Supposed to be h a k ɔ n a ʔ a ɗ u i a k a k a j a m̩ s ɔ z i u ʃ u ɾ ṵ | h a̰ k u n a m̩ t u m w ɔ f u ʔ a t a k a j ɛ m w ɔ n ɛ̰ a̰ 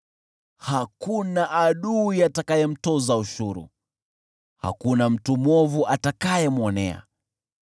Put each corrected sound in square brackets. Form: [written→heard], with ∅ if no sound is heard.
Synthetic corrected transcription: h a k [ɔ→u] n a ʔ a ɗ u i a [k→t] a k a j [a→ɛ] m̩ [s→t] ɔ z [i→a] u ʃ u ɾ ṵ | h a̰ k u n a m̩ t u m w ɔ [f→v] u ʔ a t a k a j ɛ m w ɔ n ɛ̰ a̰